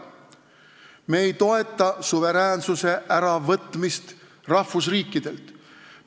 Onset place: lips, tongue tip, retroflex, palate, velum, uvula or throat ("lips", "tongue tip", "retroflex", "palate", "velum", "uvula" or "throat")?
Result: lips